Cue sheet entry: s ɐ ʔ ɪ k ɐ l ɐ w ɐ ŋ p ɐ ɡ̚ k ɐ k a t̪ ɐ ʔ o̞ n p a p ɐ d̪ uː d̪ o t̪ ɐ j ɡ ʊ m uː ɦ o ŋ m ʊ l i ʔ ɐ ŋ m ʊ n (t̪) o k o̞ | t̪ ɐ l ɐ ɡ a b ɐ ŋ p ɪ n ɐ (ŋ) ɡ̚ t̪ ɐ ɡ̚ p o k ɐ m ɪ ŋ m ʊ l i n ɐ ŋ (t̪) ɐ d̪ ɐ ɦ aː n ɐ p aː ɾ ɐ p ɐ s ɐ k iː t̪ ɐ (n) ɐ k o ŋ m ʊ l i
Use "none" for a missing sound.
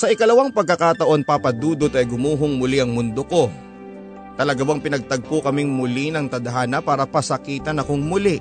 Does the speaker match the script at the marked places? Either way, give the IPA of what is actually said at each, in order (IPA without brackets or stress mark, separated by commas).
d̪, none, t̪, n